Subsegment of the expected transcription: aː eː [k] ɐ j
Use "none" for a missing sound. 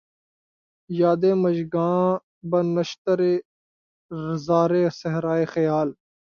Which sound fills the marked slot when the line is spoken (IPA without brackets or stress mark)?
x